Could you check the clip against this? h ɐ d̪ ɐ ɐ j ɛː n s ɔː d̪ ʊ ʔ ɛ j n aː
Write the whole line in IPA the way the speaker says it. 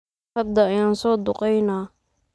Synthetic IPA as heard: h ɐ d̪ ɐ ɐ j aː n s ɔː d̪ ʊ q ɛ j n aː